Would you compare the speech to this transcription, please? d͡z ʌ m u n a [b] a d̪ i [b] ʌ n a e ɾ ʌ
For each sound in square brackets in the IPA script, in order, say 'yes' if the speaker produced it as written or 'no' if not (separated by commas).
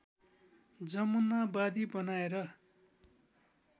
yes, yes